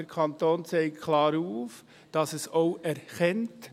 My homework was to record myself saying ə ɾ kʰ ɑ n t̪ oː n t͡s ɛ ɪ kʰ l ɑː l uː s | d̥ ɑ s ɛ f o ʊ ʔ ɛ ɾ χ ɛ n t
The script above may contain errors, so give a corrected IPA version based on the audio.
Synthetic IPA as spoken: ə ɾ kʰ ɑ n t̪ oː n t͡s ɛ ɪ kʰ l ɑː ɾ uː f | d̥ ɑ s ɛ s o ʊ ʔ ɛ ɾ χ ɛ n t